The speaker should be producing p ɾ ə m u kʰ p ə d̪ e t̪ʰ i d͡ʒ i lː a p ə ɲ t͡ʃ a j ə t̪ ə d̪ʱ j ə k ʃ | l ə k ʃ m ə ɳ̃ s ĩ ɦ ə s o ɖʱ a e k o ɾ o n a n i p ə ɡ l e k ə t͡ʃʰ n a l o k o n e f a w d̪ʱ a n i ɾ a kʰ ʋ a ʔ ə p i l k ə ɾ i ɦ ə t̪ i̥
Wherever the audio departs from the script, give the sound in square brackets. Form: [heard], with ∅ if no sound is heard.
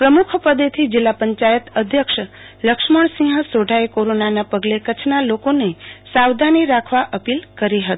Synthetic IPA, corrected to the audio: p ɾ ə m u kʰ p ə d̪ e t̪ʰ i d͡ʒ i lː a p ə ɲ t͡ʃ a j ə t̪ ə d̪ʱ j ə k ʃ | l ə k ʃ m ə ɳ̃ s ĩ ɦ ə s o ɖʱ a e k o ɾ o n a n [a] p ə ɡ l e k ə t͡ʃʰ n a l o k o n e [s] a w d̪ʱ a n i ɾ a kʰ ʋ a ʔ ə p i l k ə ɾ i ɦ ə t̪ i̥